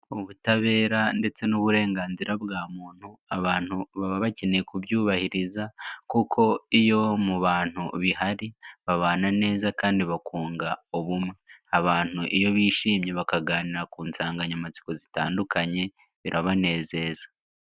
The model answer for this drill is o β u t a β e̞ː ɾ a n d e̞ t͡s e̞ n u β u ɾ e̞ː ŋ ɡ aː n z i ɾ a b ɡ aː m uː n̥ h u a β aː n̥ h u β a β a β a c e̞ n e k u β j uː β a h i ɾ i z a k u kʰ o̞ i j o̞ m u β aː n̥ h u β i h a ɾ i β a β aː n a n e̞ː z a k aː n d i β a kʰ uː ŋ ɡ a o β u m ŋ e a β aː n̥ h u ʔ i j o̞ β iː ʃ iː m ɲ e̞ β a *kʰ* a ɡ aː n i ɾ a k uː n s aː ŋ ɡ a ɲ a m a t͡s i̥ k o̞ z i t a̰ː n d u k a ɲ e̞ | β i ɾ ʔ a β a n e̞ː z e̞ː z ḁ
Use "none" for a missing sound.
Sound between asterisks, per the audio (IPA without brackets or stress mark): k